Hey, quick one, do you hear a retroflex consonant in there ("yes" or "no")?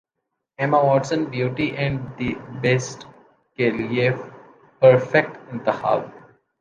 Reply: yes